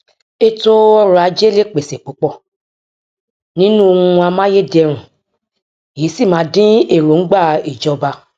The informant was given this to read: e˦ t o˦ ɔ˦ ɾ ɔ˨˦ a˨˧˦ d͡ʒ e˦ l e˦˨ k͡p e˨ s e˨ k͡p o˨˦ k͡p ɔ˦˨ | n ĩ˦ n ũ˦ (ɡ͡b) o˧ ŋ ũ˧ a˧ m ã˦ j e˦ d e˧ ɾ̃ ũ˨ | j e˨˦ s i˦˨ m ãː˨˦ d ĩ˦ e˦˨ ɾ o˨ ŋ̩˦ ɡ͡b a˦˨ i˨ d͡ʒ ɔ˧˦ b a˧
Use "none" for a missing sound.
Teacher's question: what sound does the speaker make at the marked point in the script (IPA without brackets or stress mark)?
none